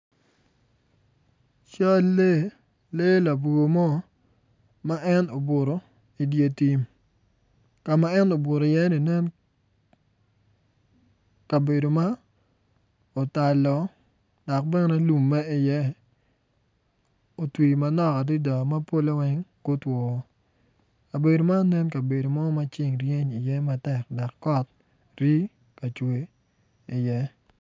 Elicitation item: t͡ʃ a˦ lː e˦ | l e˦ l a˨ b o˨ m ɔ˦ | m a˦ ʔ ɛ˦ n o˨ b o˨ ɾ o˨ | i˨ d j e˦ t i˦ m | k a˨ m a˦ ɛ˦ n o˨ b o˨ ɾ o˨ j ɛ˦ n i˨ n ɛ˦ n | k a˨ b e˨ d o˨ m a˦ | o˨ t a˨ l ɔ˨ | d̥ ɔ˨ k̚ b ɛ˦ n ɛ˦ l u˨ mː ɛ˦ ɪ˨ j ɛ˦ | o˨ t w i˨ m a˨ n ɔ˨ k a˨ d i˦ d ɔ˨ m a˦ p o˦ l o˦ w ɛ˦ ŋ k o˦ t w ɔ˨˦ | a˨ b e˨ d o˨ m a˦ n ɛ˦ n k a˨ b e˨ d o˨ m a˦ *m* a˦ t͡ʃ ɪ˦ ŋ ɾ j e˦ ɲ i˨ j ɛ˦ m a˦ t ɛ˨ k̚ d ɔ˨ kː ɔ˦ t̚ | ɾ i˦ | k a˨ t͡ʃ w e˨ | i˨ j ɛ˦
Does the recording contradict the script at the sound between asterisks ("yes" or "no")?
no